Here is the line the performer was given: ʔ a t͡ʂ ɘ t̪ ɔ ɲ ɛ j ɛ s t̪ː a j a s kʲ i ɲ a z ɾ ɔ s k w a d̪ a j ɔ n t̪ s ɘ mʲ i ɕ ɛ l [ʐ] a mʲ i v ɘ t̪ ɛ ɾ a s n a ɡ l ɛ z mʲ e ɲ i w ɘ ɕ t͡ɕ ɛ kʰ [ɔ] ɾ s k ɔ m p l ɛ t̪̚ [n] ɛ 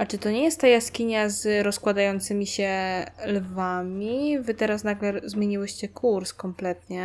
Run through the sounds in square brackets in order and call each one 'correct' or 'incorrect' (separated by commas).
incorrect, incorrect, incorrect